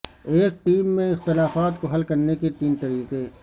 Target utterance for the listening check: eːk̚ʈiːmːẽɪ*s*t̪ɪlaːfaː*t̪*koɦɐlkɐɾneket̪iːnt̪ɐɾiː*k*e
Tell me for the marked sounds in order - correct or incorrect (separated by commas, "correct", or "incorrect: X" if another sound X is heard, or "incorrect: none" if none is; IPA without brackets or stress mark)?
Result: incorrect: x, correct, incorrect: q